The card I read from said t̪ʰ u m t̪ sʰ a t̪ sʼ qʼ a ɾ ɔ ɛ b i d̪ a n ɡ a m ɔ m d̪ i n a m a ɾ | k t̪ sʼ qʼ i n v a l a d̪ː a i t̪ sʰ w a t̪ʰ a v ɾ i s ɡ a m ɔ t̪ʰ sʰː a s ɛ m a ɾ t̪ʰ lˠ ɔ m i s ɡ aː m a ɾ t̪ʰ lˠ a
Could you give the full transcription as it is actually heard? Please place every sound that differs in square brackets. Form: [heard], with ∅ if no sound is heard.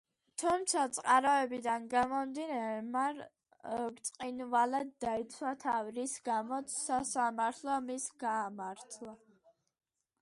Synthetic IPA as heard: t̪ʰ u m t̪ sʰ a t̪ sʼ qʼ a ɾ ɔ ɛ b i d̪ a n ɡ a m ɔ m d̪ i n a m a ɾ | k t̪ sʼ qʼ i n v a l a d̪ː a i t̪ sʰ w a t̪ʰ a v ɾ i s ɡ a m ɔ [t̪] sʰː a s [a] m a ɾ t̪ʰ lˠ ɔ m i s ɡ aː m a ɾ t̪ʰ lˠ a